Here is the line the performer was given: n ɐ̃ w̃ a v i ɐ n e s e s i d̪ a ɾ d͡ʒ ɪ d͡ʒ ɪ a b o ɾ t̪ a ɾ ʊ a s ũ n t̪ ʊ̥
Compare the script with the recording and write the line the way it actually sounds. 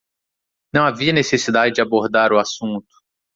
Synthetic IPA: n ɐ̃ w̃ a v i ɐ n e s e s i d̪ a d͡ʒ ɪ d͡ʒ ɪ a b o ɾ d̪ a ɾ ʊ a s ũ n t̪ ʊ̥